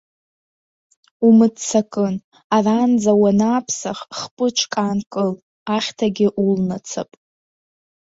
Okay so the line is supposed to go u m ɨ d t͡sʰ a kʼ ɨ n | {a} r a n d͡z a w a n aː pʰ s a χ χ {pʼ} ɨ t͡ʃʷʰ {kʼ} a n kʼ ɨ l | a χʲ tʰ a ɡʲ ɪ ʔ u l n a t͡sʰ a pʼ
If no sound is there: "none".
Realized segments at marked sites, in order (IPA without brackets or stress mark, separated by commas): a, pʼ, kʼ